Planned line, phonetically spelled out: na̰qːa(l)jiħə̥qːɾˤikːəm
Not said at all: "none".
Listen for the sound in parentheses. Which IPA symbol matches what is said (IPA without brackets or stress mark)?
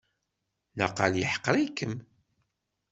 l